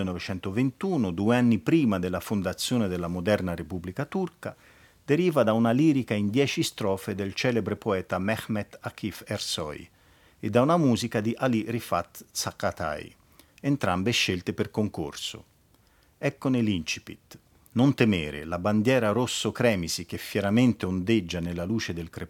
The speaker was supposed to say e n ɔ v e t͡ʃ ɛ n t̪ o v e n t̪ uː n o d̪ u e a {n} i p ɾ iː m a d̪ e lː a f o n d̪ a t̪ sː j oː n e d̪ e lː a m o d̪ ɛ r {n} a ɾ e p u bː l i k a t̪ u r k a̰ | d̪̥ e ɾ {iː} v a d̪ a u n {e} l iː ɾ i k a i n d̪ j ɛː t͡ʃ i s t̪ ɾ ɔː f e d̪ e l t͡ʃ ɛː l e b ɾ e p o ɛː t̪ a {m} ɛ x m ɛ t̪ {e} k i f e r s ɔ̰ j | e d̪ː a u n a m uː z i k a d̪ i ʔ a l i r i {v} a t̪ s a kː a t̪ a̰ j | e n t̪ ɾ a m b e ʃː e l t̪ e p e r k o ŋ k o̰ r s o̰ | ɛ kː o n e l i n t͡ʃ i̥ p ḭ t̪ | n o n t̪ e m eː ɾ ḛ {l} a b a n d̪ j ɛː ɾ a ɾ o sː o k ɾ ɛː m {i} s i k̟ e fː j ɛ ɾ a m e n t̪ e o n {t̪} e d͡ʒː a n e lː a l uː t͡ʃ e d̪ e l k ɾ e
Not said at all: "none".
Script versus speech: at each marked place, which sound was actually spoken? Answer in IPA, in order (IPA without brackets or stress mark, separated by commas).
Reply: nː, n, iː, a, m, a, f, l, i, d̪